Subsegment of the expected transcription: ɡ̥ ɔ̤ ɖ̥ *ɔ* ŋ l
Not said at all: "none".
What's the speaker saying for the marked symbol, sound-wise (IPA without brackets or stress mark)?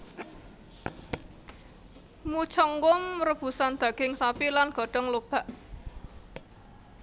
ɔ